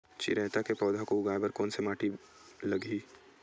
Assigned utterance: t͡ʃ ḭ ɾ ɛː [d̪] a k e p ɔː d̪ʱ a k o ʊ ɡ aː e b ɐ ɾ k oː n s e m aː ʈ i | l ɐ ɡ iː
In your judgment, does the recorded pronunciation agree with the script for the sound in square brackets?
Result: no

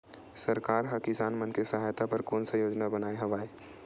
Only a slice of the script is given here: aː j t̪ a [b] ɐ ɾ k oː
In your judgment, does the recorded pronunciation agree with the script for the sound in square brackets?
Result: no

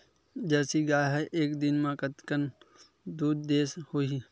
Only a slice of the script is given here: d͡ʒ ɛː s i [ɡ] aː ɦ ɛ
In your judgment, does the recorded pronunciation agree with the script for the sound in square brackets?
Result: yes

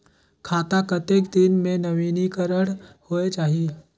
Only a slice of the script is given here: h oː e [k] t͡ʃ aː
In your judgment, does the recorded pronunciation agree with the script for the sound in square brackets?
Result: no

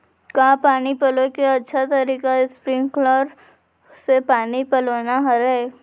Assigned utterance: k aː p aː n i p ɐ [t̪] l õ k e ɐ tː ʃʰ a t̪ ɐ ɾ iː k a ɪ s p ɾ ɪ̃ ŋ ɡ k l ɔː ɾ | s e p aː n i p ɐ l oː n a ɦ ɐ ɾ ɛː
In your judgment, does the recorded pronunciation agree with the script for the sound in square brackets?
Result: no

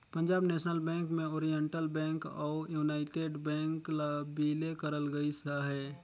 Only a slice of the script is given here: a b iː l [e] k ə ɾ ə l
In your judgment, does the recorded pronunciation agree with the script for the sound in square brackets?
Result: yes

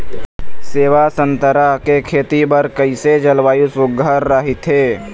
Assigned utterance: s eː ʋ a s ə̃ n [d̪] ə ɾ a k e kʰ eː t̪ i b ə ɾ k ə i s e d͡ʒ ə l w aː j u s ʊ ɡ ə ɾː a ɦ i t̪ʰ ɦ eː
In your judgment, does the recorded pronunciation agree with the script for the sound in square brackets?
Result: no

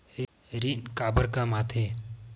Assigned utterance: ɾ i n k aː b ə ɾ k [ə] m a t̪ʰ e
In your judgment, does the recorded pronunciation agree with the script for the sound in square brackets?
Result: no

